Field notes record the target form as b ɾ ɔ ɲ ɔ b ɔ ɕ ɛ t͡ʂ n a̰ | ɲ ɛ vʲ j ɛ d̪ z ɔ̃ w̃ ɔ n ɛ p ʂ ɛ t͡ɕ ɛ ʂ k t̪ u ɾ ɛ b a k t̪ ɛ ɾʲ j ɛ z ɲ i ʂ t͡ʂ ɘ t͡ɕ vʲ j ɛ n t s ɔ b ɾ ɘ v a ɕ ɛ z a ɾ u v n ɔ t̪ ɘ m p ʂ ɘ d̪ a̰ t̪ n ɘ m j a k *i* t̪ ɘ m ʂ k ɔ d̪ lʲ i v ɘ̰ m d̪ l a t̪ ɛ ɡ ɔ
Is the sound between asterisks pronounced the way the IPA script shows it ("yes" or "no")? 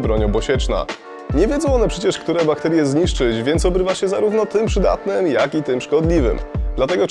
yes